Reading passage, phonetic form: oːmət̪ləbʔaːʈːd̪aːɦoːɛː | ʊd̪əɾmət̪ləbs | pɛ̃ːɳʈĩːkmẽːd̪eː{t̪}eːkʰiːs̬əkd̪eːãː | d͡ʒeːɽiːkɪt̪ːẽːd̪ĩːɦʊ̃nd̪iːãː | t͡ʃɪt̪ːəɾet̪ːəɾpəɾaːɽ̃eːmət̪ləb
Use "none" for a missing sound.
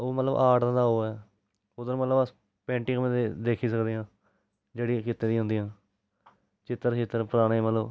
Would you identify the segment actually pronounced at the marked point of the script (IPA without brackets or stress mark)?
d̪